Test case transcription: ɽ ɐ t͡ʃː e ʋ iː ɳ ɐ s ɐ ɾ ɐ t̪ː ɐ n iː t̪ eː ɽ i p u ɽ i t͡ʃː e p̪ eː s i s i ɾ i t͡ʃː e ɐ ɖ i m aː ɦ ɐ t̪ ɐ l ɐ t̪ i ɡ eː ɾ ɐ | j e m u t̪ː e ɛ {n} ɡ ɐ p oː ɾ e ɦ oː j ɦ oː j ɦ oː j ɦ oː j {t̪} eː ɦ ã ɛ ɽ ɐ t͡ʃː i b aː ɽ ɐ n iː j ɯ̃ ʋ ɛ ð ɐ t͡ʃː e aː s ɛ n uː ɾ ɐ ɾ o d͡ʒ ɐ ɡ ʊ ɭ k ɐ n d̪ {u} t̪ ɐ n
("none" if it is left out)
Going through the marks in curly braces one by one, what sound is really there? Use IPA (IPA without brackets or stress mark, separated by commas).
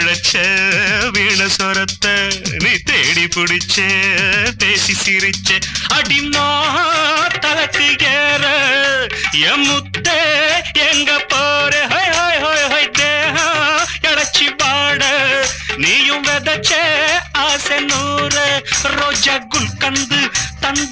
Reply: ŋ, d̪, ɯ